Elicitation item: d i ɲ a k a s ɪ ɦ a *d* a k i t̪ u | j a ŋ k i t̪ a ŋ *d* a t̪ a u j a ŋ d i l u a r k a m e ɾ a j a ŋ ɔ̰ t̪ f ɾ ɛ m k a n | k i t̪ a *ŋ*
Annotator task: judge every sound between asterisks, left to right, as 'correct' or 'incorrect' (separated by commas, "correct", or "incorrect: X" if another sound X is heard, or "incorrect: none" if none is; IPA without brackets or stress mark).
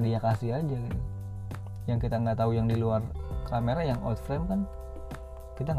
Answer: incorrect: d͡ʒ, incorrect: ɡ, correct